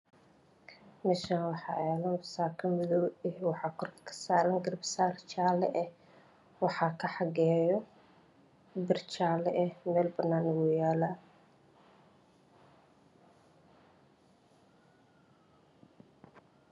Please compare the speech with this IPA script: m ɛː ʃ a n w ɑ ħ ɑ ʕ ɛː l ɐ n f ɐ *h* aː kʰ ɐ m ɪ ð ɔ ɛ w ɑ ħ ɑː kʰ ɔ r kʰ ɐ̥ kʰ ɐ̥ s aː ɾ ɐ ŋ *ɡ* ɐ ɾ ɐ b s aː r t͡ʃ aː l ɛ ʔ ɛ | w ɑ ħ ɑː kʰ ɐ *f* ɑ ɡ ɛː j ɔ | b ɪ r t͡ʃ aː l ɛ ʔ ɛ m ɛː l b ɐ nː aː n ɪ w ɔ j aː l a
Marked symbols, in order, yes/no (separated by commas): no, yes, no